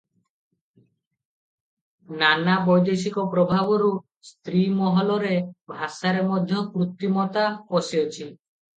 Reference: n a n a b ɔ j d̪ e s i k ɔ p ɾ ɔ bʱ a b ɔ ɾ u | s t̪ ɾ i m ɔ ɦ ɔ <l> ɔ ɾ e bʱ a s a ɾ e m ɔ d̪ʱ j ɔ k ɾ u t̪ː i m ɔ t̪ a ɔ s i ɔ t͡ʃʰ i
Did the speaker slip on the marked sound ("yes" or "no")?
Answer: no